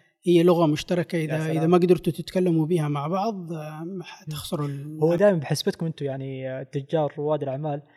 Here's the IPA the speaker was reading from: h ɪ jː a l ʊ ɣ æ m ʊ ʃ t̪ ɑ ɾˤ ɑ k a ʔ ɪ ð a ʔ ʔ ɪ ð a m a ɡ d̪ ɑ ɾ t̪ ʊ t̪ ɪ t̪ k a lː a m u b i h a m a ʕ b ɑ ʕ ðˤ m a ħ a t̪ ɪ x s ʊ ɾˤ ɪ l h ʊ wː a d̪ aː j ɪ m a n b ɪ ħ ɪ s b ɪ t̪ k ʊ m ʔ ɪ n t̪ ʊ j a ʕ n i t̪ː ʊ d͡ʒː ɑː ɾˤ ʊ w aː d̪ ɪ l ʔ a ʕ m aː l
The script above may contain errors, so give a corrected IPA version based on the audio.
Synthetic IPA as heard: h ɪ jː a l ʊ ɣ a m ʊ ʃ t̪ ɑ ɾˤ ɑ k a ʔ ɪ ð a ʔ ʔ ɪ ð a m a ɡ d̪ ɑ ɾ t̪ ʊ t̪ ɪ t̪ k a lː a m u b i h a m a ʕ b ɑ ʕ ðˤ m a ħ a t̪ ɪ x s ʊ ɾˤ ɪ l h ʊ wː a d̪ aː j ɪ m a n b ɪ ħ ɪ s b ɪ t̪ k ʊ m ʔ ɪ n t̪ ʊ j a ʕ n i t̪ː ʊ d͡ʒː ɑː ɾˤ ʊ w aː d̪ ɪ l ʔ a ʕ m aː l